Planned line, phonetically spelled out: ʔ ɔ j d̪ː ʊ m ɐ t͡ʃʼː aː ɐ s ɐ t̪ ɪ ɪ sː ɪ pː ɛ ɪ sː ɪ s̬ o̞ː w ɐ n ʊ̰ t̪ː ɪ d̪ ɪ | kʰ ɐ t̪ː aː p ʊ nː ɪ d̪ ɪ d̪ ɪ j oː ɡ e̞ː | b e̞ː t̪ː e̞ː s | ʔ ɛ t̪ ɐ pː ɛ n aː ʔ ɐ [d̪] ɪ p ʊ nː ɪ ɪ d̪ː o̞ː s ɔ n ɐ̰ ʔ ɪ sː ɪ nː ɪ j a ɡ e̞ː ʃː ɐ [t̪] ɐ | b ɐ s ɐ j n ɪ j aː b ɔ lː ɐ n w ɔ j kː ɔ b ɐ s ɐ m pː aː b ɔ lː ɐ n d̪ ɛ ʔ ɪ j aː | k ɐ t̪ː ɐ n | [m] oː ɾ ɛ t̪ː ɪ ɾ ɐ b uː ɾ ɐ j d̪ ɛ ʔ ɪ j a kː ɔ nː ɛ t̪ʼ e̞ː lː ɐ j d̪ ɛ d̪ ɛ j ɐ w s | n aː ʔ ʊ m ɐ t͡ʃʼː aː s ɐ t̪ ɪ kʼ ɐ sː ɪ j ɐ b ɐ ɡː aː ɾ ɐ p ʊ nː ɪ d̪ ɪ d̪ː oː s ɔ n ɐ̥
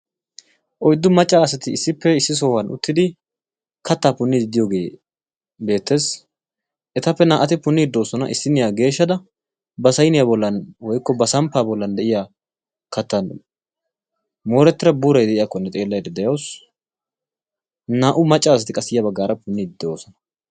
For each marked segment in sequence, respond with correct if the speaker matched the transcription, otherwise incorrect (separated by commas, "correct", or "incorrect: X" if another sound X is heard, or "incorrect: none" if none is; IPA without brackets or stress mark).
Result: incorrect: t̪, incorrect: d̪, correct